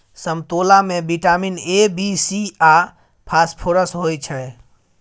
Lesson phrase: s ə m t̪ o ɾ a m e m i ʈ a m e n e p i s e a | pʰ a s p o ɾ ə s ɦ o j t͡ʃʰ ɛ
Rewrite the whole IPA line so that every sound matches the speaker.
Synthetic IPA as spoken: s ə m t̪ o l a m e b i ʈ a m i n e b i s i a | pʰ a s pʰ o ɾ ə s ɦ o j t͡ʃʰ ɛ